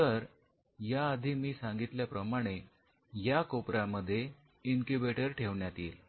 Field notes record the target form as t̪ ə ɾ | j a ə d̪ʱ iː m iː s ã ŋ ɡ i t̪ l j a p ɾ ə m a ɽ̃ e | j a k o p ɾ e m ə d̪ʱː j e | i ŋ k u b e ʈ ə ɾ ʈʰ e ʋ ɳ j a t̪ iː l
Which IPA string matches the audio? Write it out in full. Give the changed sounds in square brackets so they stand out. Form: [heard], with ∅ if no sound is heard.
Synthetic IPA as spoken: t̪ ə ɾ | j a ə d̪ʱ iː m iː s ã ŋ ɡ i t̪ l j a p ɾ ə m a ɽ̃ e | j a k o p ɾ [a] m ə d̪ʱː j e | i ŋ k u b e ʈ ə ɾ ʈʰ e ʋ ɳ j a t̪ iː l